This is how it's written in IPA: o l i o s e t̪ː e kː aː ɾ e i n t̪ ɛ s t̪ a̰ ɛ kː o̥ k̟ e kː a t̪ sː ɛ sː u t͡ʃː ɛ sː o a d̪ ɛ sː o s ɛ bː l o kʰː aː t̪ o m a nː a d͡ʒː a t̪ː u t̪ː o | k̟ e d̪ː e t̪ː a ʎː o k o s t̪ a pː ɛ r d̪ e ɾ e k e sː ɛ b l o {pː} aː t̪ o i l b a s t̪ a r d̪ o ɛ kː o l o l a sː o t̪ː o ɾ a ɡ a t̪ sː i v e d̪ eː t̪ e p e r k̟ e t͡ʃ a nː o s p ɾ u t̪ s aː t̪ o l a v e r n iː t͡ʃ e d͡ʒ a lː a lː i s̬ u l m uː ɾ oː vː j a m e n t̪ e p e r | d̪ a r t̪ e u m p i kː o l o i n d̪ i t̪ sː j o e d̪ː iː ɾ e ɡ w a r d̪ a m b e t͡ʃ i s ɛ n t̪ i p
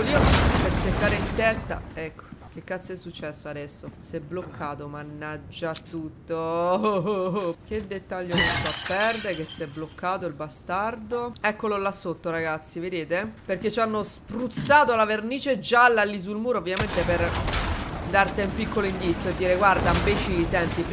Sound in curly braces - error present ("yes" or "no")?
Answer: yes